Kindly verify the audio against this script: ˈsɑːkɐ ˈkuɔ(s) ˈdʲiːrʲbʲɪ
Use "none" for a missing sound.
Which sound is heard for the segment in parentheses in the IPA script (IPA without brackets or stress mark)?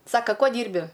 none